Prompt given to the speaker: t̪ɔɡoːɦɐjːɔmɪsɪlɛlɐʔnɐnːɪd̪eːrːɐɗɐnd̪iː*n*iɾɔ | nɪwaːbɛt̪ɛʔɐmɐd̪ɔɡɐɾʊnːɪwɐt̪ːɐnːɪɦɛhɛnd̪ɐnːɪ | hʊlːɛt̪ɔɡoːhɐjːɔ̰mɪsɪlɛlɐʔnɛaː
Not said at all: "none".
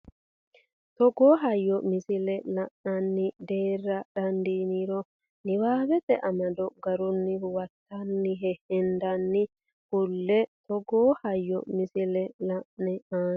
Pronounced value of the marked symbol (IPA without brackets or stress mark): n